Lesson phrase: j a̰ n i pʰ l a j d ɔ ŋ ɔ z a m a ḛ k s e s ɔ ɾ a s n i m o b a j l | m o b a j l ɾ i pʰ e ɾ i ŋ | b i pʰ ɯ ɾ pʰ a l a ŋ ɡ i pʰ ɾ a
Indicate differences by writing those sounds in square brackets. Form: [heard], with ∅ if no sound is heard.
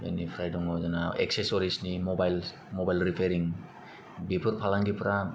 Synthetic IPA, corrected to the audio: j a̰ n i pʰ [ɾ] a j d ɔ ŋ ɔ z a [n] a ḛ k s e s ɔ ɾ [i] s n i m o b a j l | m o b a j l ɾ i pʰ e ɾ i ŋ | b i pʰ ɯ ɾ pʰ a l a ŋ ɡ i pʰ ɾ a

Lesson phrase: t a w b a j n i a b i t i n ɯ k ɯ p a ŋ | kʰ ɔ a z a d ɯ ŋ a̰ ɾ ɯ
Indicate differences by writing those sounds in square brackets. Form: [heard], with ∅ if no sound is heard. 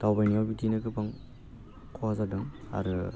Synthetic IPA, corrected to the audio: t a w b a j n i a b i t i n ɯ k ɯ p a ŋ | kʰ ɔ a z a d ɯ ŋ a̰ ɾ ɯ

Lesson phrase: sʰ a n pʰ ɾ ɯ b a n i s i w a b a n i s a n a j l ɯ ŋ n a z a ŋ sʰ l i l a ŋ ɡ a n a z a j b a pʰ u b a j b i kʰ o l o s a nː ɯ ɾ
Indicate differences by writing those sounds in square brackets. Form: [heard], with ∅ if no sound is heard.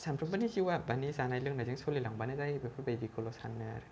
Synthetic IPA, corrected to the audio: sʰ a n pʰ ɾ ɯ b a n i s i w a b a n i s a n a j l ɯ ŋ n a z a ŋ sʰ l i l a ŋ [b] a n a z a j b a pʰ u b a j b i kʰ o l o s a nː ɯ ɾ

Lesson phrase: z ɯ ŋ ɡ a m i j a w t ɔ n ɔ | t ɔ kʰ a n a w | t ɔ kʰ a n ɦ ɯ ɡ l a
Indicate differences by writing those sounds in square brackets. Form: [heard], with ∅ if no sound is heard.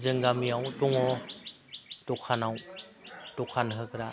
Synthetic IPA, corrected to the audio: z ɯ ŋ ɡ a m i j a w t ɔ [ŋ] ɔ | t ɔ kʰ a n a w | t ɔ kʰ a n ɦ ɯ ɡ [ɾ] a

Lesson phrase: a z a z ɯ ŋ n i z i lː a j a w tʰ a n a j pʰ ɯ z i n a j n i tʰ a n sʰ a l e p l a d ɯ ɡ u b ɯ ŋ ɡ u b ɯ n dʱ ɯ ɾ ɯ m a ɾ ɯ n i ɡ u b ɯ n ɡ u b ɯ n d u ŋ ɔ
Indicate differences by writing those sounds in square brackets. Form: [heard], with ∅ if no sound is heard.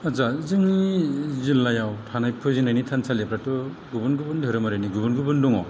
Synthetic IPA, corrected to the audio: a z a z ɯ ŋ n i z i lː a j a w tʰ a n a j pʰ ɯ z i n a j n i tʰ a n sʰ a l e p [ɾ] a [t] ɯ ɡ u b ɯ [n] ɡ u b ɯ n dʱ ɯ ɾ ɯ m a ɾ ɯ n i ɡ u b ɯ n ɡ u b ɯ n d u ŋ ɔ

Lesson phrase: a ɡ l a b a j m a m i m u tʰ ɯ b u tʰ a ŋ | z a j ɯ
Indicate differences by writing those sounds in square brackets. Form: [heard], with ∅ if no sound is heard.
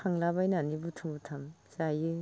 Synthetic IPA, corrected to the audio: a [ŋ] l a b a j [n] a [n] i [b] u tʰ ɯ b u tʰ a [m] | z a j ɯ

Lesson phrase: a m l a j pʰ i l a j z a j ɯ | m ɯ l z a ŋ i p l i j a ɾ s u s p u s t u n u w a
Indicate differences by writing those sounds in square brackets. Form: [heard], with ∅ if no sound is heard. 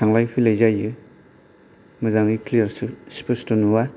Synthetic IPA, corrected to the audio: a [ŋ] l a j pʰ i l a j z a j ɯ | m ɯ [∅] z a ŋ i [k] l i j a ɾ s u s p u s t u n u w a

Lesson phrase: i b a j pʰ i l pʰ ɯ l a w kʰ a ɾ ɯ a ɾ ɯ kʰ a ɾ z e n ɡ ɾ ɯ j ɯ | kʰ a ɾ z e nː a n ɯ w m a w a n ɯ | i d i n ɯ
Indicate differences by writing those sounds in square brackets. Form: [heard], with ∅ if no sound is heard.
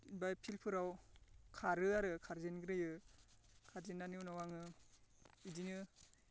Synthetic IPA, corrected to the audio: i b a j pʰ i l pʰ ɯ [ɾ] a w kʰ a ɾ ɯ a ɾ ɯ kʰ a ɾ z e n ɡ ɾ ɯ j ɯ | kʰ a ɾ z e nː a n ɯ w [n] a w a [ŋ] ɯ | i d i n ɯ

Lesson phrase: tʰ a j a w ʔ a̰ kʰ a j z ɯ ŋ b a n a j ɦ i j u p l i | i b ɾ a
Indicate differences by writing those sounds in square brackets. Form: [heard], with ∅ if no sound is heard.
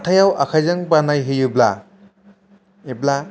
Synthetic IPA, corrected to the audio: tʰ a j a w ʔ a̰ kʰ a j z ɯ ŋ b a n a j ɦ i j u [b] l [a] | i b [l] a

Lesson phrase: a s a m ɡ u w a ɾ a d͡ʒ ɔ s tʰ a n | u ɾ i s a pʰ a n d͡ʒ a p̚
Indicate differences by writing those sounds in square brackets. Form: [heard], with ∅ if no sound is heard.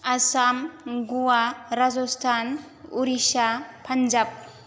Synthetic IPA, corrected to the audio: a s a m ɡ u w a ɾ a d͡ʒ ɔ s tʰ a n | u ɾ i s a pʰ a n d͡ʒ a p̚

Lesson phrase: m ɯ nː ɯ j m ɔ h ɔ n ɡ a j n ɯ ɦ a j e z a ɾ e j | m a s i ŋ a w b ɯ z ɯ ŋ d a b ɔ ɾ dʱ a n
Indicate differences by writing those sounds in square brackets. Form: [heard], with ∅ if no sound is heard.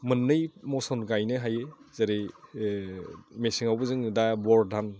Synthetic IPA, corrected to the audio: m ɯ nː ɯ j m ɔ [s] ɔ n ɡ a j n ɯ ɦ a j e z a ɾ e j | m [e] s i ŋ a w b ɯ z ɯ ŋ d a b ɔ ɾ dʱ a n

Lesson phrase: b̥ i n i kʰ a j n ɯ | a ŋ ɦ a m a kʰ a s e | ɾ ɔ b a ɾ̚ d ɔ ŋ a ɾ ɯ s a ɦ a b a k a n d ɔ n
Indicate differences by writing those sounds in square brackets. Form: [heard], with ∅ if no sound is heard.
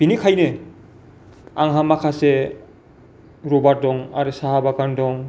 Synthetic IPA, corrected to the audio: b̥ i n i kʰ a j n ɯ | a ŋ ɦ a m a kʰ a s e | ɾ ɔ b a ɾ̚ d ɔ ŋ a ɾ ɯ s a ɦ a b a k a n d ɔ [ŋ]

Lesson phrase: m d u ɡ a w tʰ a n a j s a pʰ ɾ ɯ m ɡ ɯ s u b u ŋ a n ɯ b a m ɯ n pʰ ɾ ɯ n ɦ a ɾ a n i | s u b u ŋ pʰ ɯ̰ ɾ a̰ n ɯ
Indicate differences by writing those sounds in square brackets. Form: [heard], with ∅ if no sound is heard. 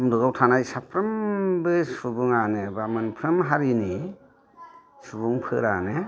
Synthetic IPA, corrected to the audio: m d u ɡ a w tʰ a n a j s a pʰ ɾ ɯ m [b] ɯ s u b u ŋ a n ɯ b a m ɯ n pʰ ɾ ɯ [m] ɦ a ɾ [i] n i | s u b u ŋ pʰ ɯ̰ ɾ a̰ n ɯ

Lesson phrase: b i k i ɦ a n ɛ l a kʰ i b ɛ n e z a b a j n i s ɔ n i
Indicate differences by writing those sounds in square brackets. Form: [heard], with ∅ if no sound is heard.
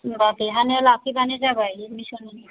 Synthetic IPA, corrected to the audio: b [a] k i ɦ a n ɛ l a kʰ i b [a] n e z a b a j [m] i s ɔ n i

